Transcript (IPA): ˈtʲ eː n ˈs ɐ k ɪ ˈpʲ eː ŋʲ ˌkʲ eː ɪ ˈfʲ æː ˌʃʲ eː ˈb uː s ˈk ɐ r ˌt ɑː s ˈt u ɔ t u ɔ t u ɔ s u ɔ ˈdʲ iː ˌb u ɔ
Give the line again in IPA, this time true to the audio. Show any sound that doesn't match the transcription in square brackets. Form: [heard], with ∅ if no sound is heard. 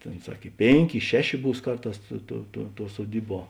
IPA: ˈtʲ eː n ˈs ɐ k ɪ ˈpʲ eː ŋʲ ˌkʲ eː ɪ [ˈʃʲ] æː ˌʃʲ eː ˈb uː s ˈk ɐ r ˌt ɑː s ˈt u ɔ t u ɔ t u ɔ s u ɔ ˈdʲ iː ˌb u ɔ

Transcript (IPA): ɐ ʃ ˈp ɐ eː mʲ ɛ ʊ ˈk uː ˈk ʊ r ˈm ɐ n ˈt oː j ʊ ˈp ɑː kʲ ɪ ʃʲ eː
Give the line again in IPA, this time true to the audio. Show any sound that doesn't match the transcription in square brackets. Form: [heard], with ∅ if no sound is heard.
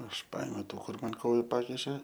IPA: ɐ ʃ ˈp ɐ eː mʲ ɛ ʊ [ˈt] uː ˈk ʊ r ˈm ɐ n [ˈk] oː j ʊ ˈp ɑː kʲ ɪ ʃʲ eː

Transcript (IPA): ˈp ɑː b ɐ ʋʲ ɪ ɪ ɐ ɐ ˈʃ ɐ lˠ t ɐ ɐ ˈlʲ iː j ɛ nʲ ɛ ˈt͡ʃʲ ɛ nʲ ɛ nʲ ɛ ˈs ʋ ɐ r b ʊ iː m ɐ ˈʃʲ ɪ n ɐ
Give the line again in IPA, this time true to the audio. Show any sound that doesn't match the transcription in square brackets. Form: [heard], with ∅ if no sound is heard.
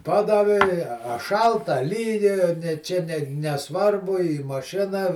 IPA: ˈp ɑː [d] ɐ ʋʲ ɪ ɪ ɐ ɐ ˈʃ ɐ lˠ t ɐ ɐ ˈlʲ iː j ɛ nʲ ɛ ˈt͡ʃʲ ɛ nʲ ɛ nʲ ɛ ˈs ʋ ɐ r b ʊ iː m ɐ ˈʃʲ ɪ n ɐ

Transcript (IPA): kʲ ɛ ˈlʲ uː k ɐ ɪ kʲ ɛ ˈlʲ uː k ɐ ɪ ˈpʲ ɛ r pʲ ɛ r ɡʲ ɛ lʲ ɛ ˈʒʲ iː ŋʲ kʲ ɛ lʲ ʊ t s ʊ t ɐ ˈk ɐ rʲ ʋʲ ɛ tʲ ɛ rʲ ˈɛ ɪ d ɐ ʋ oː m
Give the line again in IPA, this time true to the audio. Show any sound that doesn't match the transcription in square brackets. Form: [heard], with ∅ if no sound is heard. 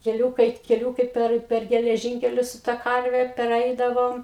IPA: kʲ ɛ ˈlʲ uː k ɐ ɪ kʲ ɛ ˈlʲ uː k ɐ ɪ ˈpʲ ɛ r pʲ ɛ r ɡʲ ɛ lʲ ɛ ˈʒʲ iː ŋʲ kʲ ɛ lʲ ʊ [s] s ʊ t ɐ ˈk ɐ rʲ ʋʲ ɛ [pʲ] ɛ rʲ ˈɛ ɪ d ɐ ʋ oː m

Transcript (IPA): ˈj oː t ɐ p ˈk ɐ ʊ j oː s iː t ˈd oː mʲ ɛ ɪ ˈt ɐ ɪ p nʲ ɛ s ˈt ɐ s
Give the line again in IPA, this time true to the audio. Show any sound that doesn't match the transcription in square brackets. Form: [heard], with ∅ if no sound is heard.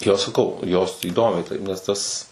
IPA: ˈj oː [s] ɐ [∅] ˈk ɐ ʊ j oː s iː [∅] ˈd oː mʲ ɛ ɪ ˈt ɐ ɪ p nʲ ɛ s ˈt ɐ s

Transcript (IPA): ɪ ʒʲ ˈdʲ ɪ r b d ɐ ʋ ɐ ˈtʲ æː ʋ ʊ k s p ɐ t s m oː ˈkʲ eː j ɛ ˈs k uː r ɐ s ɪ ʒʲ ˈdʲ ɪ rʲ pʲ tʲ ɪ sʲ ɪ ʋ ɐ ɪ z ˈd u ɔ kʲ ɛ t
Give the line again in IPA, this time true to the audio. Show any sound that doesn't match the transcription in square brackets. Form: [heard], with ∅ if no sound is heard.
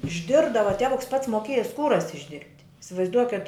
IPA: ɪ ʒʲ ˈdʲ ɪ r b d ɐ ʋ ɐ ˈtʲ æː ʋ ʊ k s p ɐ t s m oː ˈkʲ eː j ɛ ˈs k uː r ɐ s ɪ ʒʲ ˈdʲ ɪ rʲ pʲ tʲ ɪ sʲ ɪ ʋ ɐ ɪ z ˈd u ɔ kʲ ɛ t

